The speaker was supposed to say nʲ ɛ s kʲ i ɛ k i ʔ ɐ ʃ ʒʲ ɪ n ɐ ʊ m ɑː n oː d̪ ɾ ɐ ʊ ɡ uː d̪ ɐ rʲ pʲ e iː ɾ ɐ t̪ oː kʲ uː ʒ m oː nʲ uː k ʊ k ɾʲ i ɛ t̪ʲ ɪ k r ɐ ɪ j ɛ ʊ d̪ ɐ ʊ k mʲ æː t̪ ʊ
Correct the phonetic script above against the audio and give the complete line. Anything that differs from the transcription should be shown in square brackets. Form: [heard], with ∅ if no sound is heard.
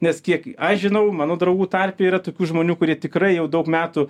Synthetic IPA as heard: nʲ ɛ s kʲ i ɛ k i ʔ ɐ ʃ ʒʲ ɪ n ɐ ʊ m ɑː n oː d̪ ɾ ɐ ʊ ɡ uː [t̪] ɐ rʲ pʲ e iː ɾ ɐ t̪ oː kʲ uː ʒ m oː nʲ uː k ʊ [∅] ɾʲ i ɛ t̪ʲ ɪ k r ɐ ɪ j ɛ ʊ d̪ ɐ ʊ k mʲ æː t̪ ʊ

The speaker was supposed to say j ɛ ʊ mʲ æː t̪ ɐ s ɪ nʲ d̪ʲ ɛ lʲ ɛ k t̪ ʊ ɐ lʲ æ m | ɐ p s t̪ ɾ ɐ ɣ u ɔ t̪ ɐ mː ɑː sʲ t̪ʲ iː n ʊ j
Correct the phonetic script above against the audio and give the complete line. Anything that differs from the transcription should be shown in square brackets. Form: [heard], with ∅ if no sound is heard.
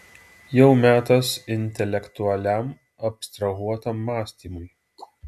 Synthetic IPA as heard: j ɛ ʊ mʲ æː t̪ ɐ s ɪ nʲ [t̪ʲ] ɛ lʲ ɛ k t̪ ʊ ɐ lʲ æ m | ɐ p s t̪ ɾ ɐ ɣ u ɔ t̪ ɐ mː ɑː sʲ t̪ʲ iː [m] ʊ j

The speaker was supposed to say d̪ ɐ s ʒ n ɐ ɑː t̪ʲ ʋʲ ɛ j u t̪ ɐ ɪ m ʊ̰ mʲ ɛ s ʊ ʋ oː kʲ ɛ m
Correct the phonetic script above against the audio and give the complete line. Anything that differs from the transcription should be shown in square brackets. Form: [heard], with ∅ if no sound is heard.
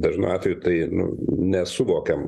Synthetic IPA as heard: d̪ ɐ [∅] ʒ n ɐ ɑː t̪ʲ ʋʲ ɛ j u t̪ ɐ ɪ [n] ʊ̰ [nʲ] ɛ s ʊ ʋ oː kʲ ɛ m

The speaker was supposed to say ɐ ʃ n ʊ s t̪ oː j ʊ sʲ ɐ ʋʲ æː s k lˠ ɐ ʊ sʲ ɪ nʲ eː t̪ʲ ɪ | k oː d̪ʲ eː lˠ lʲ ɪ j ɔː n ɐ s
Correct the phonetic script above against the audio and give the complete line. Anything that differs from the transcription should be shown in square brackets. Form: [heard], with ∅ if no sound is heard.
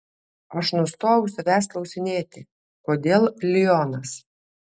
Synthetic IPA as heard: ɐ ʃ n ʊ s t̪ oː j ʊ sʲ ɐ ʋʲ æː s k lˠ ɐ ʊ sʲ ɪ nʲ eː t̪ʲ ɪ | k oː d̪ʲ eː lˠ lʲ ɪ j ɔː n ɐ s

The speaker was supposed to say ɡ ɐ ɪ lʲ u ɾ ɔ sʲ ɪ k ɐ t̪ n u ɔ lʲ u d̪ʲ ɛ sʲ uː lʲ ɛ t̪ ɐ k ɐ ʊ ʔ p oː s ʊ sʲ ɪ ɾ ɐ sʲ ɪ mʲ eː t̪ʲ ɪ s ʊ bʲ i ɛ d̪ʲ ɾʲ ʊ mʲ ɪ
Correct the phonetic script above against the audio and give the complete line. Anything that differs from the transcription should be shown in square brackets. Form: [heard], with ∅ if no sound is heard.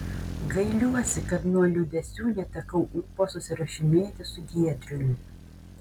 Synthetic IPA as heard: ɡ ɐ ɪ lʲ u [∅] ɔ sʲ ɪ k ɐ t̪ n u ɔ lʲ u d̪ʲ ɛ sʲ uː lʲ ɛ t̪ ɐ k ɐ ʊ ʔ p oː s ʊ sʲ ɪ ɾ ɐ [ʃʲ] ɪ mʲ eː t̪ʲ ɪ s ʊ [ɡʲ] i ɛ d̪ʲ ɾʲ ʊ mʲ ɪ

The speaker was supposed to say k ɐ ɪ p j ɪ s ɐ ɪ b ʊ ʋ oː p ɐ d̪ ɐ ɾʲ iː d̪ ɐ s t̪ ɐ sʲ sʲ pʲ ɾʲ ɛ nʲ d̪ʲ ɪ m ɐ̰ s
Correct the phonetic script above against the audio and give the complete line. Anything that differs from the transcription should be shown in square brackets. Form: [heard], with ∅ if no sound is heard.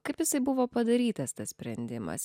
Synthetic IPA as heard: k ɐ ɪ p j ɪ s ɐ ɪ b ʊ ʋ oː p ɐ d̪ ɐ ɾʲ iː [t̪] ɐ s t̪ ɐ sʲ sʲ pʲ ɾʲ ɛ nʲ d̪ʲ ɪ m ɐ̰ s

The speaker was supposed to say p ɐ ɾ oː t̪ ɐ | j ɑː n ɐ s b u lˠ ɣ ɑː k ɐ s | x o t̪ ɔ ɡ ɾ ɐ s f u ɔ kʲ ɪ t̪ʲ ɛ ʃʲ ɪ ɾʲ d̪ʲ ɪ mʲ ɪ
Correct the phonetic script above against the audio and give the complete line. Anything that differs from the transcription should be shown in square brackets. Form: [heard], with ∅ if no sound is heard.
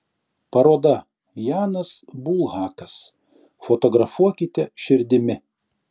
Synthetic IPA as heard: p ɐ ɾ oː [d̪] ɐ | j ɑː n ɐ s b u lˠ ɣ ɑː k ɐ s | [f] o t̪ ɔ ɡ ɾ ɐ [∅] f u ɔ kʲ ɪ t̪ʲ ɛ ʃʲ ɪ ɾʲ d̪ʲ ɪ mʲ ɪ

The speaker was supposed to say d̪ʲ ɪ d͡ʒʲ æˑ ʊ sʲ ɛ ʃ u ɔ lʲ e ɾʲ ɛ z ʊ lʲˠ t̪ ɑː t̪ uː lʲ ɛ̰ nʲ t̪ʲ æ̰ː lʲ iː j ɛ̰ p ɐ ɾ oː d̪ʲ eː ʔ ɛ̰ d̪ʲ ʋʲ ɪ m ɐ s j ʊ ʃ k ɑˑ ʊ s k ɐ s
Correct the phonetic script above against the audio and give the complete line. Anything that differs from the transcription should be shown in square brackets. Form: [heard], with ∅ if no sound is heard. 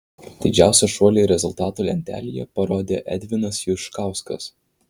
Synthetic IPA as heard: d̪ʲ ɪ d͡ʒʲ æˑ ʊ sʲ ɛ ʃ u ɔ lʲ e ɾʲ ɛ z ʊ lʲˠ t̪ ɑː t̪ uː lʲ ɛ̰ nʲ t̪ʲ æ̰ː lʲ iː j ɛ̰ p ɐ ɾ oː d̪ʲ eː ʔ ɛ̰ d̪ʲ ʋʲ ɪ [n] ɐ s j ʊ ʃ k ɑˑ ʊ s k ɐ s

